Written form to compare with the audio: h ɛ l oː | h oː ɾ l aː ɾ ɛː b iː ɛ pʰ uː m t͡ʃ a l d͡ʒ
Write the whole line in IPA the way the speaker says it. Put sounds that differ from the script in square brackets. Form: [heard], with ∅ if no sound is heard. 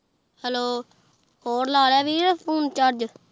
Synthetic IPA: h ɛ l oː | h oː ɾ l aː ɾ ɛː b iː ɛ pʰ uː [n] t͡ʃ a [ɾ] d͡ʒ

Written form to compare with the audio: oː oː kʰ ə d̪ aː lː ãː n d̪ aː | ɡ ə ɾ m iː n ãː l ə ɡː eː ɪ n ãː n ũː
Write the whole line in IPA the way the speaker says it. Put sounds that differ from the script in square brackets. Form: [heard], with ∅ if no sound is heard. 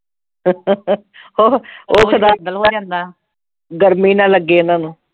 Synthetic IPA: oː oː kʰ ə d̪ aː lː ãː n d̪ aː | ɡ ə ɾ m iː n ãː l ə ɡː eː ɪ n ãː n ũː

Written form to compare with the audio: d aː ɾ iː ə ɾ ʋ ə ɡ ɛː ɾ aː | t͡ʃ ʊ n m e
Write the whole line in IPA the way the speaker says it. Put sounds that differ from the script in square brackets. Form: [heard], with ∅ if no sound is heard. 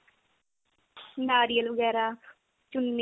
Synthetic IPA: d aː ɾ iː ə [l] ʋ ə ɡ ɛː ɾ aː | t͡ʃ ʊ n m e

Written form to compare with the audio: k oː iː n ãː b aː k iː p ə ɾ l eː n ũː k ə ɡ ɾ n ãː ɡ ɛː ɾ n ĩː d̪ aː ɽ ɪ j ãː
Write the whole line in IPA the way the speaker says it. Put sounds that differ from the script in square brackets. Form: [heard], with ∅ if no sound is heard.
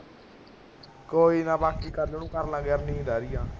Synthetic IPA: k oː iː n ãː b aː k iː [k] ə ɾ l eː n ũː k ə [∅] ɾ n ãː ɡ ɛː ɾ n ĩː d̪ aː [ɾ] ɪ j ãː

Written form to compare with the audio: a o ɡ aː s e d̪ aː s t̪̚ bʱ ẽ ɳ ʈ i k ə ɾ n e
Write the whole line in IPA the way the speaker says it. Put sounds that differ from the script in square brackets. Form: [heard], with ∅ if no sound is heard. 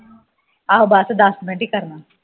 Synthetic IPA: a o [b] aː s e d̪ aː s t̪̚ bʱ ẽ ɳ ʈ i k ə ɾ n [a]

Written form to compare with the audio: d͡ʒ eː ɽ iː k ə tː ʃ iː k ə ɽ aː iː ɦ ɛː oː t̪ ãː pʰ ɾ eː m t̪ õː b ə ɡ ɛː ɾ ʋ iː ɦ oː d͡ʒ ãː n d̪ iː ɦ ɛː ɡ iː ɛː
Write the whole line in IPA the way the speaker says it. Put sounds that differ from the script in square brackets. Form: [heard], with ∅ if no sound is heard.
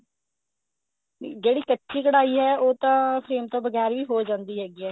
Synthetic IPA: d͡ʒ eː ɽ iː k ə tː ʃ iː k ə ɽ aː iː ɦ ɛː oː t̪ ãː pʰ ɾ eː m t̪ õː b ə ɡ ɛː ɾ ʋ iː ɦ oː d͡ʒ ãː n d̪ iː ɦ ɛː ɡ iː ɛː

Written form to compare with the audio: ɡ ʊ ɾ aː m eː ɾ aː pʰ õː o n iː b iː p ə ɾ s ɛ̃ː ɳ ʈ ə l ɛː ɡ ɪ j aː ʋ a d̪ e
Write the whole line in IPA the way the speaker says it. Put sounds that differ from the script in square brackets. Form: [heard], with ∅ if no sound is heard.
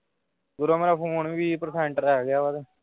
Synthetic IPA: ɡ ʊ ɾ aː m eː ɾ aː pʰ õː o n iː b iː p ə ɾ s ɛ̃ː ɳ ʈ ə [ɾ] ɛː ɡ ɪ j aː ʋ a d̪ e

